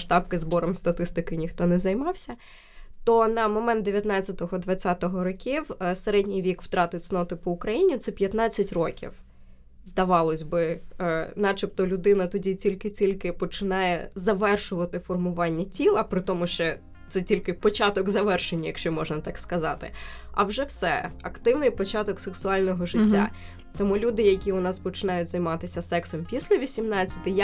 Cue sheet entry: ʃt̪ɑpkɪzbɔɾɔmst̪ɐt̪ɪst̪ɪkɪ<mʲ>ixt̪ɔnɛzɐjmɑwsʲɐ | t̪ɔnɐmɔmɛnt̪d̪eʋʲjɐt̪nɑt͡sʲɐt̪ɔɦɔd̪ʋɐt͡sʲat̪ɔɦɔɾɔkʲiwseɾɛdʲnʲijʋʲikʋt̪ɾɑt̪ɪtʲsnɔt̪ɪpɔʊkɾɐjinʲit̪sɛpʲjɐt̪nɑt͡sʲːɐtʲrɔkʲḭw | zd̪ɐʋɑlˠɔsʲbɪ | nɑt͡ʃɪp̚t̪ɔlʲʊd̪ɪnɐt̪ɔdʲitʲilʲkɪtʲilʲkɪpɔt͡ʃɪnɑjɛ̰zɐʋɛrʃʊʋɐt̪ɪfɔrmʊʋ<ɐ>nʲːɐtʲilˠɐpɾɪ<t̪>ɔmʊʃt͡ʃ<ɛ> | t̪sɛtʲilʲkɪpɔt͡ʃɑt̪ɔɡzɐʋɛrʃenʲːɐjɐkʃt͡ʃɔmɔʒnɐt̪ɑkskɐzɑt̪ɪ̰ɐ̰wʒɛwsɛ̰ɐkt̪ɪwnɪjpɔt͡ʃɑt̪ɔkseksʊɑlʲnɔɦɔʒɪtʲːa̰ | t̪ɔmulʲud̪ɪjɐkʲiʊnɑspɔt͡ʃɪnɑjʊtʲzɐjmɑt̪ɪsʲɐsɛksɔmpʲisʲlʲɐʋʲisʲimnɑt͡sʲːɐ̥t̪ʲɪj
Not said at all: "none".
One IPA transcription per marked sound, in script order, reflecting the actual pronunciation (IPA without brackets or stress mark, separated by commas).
nʲ, ɑ, t̪, ɛ